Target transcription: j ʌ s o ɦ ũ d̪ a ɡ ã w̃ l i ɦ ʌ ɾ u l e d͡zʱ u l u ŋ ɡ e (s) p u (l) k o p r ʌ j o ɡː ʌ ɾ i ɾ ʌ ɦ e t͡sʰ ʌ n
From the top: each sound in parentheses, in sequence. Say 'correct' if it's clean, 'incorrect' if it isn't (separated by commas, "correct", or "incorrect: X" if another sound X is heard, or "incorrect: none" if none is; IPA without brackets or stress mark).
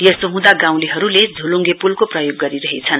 incorrect: none, correct